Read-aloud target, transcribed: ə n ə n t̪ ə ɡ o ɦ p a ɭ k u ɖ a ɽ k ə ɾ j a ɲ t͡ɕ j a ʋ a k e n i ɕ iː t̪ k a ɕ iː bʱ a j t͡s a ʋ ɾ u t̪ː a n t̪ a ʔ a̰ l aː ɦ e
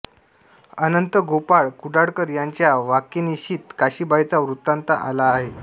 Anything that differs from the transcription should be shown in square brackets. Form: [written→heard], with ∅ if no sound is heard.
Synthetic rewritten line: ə n ə n t̪ ə ɡ o [ɦ→∅] p a ɭ k u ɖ a ɽ k ə ɾ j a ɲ t͡ɕ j a ʋ a k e n i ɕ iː t̪ k a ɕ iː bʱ a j t͡s a ʋ ɾ u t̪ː a n t̪ a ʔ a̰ l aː ɦ e